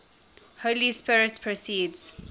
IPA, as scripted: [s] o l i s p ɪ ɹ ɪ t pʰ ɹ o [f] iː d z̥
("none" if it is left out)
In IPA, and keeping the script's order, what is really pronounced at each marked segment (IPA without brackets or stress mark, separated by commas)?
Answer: h, s